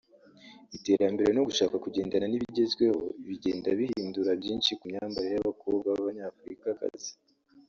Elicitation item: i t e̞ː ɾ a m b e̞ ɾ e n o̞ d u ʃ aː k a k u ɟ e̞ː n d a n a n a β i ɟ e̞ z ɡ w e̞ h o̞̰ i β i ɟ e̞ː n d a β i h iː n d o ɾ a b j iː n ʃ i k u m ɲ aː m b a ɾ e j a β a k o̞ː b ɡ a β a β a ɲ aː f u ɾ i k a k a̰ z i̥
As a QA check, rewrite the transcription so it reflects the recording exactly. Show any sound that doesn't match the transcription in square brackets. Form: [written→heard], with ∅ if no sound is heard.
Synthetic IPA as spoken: i t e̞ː ɾ a m b e̞ ɾ e n o̞ [d→ɡ] u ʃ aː k a k u ɟ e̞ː n d a n a n [a→i] β i ɟ e̞ z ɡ w e̞ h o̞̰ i β i ɟ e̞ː n d a β i h iː n d [o→u] ɾ a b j iː n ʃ i k u m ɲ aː m b a ɾ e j a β a k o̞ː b ɡ a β a β a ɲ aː f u ɾ i k a k a̰ z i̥